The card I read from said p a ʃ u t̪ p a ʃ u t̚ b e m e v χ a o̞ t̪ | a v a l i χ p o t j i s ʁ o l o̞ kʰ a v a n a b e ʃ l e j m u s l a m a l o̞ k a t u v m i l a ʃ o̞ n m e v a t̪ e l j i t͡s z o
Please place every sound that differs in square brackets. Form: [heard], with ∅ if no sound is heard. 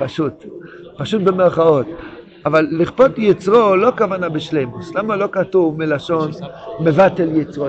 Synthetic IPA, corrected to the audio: p a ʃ u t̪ p a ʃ u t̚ b e m e [ʁ] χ a o̞ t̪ | a v a [lː] i χ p o t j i [t͡s] ʁ o l o̞ [k] a v a n a b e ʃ l e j m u s l a m a l o̞ k a t u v m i l a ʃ o̞ n m e v a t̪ e l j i t͡s [ʁ] o